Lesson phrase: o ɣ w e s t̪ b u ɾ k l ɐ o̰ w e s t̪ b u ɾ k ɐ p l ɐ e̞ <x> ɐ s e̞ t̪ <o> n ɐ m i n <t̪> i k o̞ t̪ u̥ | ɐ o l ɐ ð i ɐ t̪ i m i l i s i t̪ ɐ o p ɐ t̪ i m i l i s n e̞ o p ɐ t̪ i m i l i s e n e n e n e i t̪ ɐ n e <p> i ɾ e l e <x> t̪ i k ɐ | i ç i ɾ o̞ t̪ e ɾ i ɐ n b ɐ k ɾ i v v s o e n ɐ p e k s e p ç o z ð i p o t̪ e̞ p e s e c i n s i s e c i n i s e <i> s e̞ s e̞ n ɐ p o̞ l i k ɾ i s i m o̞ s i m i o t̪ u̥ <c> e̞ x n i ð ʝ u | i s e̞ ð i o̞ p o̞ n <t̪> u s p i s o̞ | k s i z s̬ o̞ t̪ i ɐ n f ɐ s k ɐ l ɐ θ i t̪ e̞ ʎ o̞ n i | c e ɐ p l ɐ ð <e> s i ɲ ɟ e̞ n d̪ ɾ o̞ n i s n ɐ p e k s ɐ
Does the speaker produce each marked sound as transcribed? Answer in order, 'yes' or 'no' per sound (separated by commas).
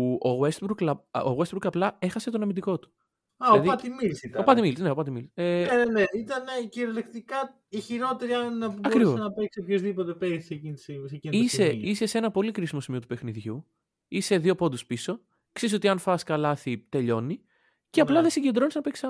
yes, yes, no, no, no, yes, no, no, yes